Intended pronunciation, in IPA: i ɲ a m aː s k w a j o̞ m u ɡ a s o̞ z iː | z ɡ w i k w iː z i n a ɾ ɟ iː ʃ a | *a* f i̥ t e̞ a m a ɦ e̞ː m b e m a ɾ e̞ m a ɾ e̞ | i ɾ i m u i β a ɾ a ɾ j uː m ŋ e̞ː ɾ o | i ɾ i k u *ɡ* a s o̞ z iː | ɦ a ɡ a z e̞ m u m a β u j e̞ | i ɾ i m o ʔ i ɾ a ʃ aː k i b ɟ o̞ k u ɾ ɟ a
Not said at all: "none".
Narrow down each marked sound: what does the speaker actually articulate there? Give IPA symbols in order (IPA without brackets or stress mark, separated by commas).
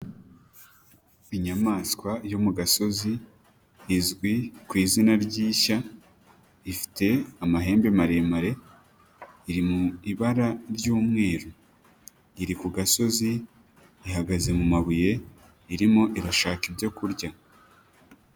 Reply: i, ɡ